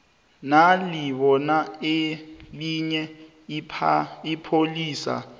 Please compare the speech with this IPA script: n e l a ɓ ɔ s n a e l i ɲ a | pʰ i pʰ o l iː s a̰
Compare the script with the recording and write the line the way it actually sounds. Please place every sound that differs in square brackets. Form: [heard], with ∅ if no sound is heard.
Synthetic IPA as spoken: n [a] l [i] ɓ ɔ [∅] n a e l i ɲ [ɛ] | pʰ i pʰ o l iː s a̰